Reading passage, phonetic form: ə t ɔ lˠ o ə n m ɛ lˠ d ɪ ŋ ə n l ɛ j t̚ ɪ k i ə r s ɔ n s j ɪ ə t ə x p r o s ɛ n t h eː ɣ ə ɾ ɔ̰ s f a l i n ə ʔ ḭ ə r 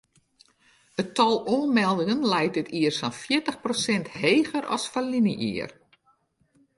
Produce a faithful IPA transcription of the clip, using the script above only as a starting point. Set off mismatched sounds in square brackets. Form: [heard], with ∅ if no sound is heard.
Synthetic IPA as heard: ə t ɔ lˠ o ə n m ɛ lˠ d ɪ ŋ ə n l ɛ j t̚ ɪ [t] i ə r s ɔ n [f] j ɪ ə t ə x p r o s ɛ n t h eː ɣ ə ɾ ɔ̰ s f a l i n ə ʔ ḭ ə r

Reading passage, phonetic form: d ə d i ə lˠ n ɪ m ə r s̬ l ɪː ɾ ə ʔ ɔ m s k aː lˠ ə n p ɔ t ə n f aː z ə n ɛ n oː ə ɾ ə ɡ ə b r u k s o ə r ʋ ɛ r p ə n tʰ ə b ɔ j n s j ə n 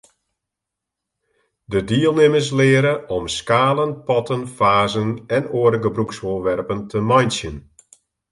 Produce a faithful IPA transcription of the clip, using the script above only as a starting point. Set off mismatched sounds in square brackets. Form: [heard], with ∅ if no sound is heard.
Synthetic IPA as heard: d ə d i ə lˠ n ɪ m ə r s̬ l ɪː ɾ ə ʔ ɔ m s k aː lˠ ə n p ɔ t ə n f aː z ə n ɛ n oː ə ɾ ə ɡ ə b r u k s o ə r ʋ ɛ r p ə n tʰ ə [m] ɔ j n s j ə n

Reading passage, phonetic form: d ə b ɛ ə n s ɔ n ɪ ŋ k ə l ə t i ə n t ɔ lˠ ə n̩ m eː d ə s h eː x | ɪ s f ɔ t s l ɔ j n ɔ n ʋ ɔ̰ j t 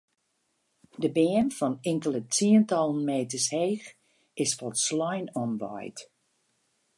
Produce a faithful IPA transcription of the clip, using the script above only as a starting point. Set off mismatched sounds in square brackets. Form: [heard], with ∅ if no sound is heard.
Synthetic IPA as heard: d ə b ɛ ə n [f] ɔ n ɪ ŋ k ə l ə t i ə n t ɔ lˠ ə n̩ m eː [t] ə s h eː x | ɪ s f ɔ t s l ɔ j n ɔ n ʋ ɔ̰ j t

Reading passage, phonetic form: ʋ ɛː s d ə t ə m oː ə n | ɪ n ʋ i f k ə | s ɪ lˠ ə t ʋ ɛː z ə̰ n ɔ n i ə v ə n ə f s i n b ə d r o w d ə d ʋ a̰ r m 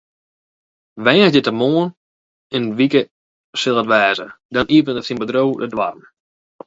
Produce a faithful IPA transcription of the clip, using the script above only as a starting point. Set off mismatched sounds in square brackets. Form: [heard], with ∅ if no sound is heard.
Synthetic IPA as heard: ʋ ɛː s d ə t ə m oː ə n | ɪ n ʋ i [∅] k ə | s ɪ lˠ ə t ʋ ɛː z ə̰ [d] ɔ n i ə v ə n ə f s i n b ə d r o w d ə d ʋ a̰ r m

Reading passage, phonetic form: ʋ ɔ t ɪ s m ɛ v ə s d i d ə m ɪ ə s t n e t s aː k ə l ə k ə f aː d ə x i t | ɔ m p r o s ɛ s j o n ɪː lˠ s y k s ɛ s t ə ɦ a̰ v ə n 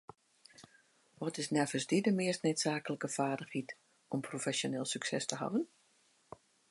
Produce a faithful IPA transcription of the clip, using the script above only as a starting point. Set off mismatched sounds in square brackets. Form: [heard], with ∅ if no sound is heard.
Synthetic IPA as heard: ʋ ɔ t ɪ s [n] ɛ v ə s d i d ə m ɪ ə s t n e t s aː k ə l ə k ə f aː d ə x i t | ɔ m p r o [f] ɛ s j o n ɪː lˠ s y k s ɛ s t ə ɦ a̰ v ə n

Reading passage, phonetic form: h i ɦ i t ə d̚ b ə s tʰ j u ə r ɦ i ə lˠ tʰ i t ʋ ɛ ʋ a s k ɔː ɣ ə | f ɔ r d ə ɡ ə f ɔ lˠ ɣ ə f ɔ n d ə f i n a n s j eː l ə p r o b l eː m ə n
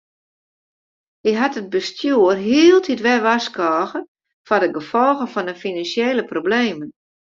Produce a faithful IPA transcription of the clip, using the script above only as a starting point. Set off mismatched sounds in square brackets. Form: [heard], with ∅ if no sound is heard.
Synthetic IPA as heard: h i ɦ [a] t ə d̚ b ə s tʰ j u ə r ɦ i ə lˠ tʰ i t ʋ ɛ ʋ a s k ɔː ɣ ə | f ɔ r d ə ɡ ə f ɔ lˠ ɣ ə f ɔ n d ə f i n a n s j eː l ə p r o b l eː m ə n

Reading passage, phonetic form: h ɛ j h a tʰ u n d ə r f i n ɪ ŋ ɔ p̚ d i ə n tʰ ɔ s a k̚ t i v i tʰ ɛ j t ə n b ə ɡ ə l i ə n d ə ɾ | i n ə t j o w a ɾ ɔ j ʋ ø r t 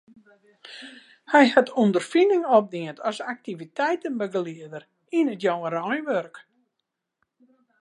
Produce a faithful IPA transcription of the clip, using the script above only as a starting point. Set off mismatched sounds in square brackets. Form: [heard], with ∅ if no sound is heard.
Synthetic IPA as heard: h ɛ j h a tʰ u n d ə r f i n ɪ ŋ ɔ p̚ d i ə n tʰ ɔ s a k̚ t i v i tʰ ɛ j t ə n b ə ɡ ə l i ə [∅] d ə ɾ | i n ə t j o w [ə] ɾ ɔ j ʋ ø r [k]

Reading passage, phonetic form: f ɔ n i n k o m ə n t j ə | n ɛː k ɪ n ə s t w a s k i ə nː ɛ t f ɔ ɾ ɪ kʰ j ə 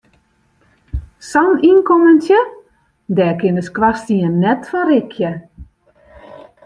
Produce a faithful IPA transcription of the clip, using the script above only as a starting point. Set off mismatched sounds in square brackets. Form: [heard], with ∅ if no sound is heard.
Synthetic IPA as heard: [s] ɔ n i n k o m ə n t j ə | [d] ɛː k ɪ n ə s [k] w a s [t] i ə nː ɛ t f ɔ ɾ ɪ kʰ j ə

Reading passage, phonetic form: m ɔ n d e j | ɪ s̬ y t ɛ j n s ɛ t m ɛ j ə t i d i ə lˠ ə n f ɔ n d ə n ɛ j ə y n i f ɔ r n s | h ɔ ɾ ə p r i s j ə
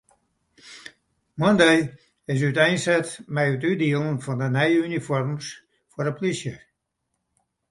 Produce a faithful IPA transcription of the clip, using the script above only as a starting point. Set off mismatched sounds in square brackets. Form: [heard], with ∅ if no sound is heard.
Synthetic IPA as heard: m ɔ n d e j | ɪ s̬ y t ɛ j n s ɛ t m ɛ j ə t [y] d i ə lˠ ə n f ɔ n d ə n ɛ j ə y n i f ɔ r [m] s | [f] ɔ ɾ ə p [l] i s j ə

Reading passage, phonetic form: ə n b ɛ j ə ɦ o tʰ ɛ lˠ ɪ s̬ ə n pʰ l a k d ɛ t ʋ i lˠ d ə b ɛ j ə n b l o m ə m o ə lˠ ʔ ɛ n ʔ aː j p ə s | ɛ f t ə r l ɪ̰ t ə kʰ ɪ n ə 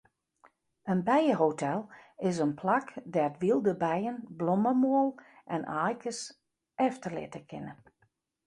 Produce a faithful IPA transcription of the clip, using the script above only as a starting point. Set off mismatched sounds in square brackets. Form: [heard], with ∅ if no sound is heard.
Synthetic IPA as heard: ə n b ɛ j ə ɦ o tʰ ɛ lˠ ɪ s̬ ə n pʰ l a k d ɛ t ʋ i lˠ d ə b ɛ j ə n b l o m ə m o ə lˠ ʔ ɛ n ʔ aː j [k] ə s | ɛ f t ə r l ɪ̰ t ə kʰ ɪ n ə

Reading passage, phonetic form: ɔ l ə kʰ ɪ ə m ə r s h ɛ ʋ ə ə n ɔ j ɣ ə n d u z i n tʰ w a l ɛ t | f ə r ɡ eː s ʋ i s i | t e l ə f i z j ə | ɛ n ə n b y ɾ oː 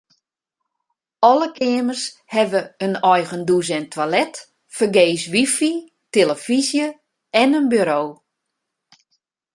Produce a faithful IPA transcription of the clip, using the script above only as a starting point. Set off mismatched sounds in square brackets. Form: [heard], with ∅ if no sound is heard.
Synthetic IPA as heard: ɔ l ə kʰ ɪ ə m ə r s h ɛ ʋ ə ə n ɔ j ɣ ə n d u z [ɛ] n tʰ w a l ɛ t | f ə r ɡ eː s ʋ i [f] i | t e l ə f i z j ə | ɛ n ə n b y ɾ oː

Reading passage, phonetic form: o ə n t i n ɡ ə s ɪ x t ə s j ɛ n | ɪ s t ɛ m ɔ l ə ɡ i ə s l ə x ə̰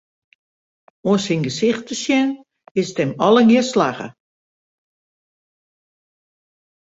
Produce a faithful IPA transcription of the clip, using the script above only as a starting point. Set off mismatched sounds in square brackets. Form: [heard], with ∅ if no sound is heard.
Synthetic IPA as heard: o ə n [s] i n ɡ ə s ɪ x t ə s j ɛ n | ɪ s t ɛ m ɔ l ə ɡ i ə s l [a] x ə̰

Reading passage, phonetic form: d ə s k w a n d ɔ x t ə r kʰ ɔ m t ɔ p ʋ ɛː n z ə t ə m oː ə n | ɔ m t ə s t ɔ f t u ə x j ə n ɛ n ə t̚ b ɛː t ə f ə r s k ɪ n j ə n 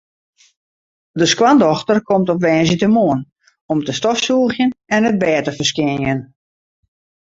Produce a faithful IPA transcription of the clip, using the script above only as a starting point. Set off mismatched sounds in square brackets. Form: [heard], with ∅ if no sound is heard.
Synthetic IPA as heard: d ə s k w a n d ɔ x t ə r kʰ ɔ m t ɔ p ʋ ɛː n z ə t ə m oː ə n | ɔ m t ə s t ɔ f [s] u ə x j ə n ɛ n ə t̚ b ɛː t ə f ə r s k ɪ n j ə n

